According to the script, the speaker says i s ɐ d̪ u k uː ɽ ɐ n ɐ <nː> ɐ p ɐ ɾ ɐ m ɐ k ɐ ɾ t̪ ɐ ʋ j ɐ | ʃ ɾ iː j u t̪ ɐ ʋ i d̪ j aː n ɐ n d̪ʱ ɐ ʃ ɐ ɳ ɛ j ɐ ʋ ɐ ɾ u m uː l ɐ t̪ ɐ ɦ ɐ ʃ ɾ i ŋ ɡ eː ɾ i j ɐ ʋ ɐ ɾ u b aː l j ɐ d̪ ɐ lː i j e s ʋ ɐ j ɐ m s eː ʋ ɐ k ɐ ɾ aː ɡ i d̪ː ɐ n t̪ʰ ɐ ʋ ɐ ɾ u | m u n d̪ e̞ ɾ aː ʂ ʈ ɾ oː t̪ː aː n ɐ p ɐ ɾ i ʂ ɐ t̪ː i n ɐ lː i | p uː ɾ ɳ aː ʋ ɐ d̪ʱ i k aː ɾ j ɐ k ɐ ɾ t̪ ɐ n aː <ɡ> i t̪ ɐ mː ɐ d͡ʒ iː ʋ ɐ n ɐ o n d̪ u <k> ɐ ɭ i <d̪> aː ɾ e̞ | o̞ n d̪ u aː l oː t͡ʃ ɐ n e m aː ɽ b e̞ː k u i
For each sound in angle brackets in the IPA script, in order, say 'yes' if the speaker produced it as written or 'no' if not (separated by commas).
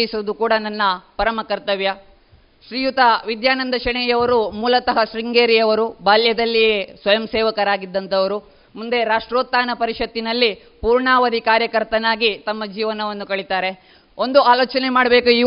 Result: yes, yes, yes, no